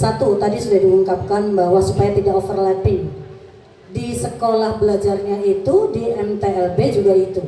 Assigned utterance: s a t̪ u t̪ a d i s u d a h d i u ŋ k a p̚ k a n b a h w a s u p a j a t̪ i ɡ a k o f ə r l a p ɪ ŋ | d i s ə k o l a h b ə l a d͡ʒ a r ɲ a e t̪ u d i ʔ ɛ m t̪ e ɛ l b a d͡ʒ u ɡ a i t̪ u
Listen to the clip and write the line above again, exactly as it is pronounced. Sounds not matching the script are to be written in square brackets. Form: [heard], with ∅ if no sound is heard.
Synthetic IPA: s a t̪ u t̪ a d i s u d a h d i u ŋ k a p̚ k a n b a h w a s u p a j a t̪ i [d] a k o f ə r l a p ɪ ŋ | d i s ə k o l a h b ə l a d͡ʒ a r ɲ a [i] t̪ u d i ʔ ɛ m t̪ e ɛ l b [e] d͡ʒ u ɡ a i t̪ u

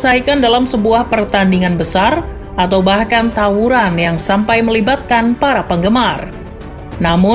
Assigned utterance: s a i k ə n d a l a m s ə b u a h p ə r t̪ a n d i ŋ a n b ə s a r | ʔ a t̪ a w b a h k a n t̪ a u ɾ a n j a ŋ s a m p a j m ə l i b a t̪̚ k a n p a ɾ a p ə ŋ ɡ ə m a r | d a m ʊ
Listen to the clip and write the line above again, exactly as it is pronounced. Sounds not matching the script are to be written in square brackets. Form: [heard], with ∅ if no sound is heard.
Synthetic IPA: s a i k [a] n d a l a m s ə b u a h p ə r t̪ a n d i ŋ a n b ə s a r | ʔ a t̪ a w b a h k a n t̪ a u ɾ a n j a ŋ s a m p a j m ə l i b a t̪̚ k a n p a ɾ a p ə ŋ ɡ ə m a r | [n] a m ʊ

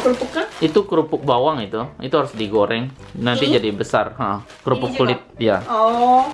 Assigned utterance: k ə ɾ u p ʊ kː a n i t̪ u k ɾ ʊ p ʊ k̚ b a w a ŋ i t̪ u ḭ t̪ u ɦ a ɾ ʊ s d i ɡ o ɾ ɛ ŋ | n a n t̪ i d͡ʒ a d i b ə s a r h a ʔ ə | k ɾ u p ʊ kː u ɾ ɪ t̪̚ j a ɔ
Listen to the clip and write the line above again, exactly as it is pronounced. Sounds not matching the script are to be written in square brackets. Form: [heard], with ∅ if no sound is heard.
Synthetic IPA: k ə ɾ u p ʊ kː a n i t̪ u k ɾ [u] p ʊ k̚ b a w a ŋ i t̪ u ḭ t̪ u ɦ a ɾ ʊ s d i ɡ o ɾ ɛ ŋ | n a n t̪ i d͡ʒ a d i b ə s a r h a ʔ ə | k ɾ u p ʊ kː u [l] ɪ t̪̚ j a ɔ

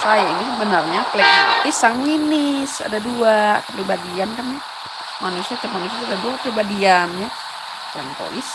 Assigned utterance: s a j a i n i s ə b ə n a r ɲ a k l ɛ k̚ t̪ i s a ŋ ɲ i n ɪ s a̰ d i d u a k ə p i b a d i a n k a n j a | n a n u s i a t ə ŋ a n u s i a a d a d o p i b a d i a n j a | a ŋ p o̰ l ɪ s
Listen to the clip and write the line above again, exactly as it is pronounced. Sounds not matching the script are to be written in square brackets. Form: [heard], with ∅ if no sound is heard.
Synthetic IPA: s a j a i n i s ə b ə n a r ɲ a k l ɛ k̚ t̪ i s a ŋ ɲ i n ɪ s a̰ d [a] d u a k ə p i b a d i a n k a n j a | [m] a n u s i a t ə [m] a n u s i a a d a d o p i b a d i a n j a | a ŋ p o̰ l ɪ s

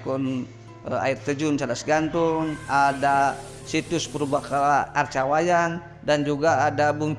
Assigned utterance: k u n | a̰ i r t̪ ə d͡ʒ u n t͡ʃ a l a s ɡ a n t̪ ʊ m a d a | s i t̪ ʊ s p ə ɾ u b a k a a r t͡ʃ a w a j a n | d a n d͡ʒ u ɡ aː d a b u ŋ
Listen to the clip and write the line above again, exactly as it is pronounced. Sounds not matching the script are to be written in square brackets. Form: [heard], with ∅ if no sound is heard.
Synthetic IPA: k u n | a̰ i r t̪ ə d͡ʒ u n t͡ʃ a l a s ɡ a n t̪ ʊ [ŋ] a d a | s i t̪ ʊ s p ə ɾ u b a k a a r t͡ʃ a w a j a n | d a n d͡ʒ u ɡ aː d a b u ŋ

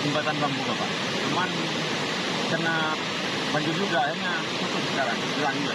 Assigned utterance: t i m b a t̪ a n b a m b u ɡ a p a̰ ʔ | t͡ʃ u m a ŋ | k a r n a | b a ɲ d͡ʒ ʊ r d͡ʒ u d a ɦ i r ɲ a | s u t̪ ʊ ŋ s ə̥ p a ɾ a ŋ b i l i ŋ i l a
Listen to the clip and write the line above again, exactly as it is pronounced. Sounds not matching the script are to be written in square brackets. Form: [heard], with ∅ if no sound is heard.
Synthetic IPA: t i m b a t̪ a n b a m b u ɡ a p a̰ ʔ | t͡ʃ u m a [n] | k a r n a | b a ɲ d͡ʒ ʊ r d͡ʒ u [ɡ] a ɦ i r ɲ a | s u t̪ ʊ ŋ s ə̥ [k] a ɾ a ŋ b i l [a] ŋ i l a

